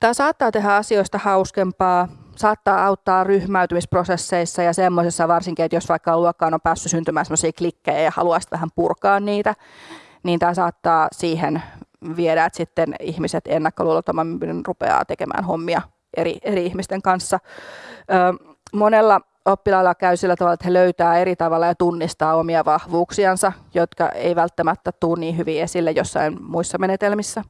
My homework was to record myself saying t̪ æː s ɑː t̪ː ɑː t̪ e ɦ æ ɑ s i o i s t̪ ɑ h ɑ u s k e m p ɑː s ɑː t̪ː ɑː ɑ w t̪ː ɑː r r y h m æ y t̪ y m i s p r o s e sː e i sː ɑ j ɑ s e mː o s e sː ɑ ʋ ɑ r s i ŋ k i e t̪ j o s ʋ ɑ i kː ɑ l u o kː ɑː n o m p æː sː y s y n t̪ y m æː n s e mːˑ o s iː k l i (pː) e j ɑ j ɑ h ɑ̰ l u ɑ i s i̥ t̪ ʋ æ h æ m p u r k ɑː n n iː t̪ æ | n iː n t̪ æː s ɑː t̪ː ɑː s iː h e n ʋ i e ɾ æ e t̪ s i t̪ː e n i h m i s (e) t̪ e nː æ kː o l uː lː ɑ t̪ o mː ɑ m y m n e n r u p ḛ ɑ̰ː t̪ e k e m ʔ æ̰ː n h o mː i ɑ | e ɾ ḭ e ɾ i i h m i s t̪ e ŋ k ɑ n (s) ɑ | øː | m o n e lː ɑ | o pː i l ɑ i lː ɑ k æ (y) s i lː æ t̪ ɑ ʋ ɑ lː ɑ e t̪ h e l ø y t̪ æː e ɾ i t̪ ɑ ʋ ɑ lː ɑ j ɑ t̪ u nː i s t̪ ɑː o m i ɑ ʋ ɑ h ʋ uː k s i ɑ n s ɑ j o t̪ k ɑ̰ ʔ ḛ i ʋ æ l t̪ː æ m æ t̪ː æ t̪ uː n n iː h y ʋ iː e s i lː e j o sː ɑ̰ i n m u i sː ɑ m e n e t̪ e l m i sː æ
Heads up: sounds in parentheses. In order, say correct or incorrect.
incorrect, correct, incorrect, correct

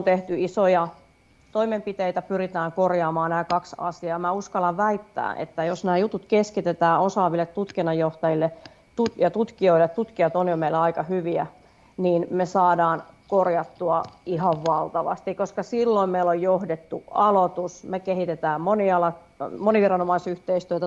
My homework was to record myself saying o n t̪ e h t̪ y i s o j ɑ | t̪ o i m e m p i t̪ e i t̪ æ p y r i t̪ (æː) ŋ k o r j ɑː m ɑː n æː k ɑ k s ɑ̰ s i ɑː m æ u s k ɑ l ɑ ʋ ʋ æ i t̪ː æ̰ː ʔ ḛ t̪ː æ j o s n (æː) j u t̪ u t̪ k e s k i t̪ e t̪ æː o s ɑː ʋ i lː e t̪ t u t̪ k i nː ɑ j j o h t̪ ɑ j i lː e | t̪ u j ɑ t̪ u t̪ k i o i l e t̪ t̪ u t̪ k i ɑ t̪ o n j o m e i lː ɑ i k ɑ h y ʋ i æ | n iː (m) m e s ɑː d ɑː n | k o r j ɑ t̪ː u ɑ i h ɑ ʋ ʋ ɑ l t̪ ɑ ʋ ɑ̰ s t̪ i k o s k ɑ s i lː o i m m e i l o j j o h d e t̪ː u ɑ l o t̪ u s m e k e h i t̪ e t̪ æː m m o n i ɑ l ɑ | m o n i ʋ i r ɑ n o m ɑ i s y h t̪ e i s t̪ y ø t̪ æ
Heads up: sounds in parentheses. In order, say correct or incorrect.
correct, correct, incorrect

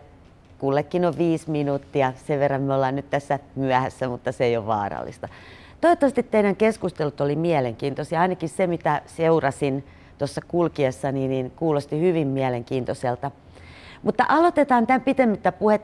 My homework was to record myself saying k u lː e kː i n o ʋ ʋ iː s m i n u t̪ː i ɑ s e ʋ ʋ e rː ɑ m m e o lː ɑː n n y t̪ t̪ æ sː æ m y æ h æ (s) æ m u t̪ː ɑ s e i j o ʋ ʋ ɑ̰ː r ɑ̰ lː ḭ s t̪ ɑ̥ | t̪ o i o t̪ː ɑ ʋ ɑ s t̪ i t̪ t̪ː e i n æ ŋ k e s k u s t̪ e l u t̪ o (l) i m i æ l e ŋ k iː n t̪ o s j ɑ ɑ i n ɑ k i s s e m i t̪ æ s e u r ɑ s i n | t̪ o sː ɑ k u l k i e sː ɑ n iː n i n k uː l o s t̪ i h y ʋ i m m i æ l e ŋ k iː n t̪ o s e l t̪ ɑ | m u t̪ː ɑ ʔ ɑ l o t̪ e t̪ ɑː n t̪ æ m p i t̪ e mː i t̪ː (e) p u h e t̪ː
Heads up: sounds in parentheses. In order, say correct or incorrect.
incorrect, correct, incorrect

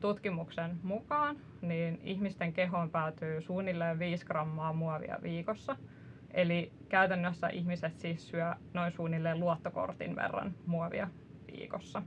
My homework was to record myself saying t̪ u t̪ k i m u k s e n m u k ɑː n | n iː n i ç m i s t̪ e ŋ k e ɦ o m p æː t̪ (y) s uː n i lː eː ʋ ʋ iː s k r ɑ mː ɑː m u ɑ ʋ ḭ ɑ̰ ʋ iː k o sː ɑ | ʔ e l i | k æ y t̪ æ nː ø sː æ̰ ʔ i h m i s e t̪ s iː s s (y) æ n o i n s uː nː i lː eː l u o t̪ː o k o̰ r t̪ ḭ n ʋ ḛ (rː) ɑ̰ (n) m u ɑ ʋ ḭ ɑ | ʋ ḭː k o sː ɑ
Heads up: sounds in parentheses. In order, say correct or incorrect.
incorrect, correct, correct, correct

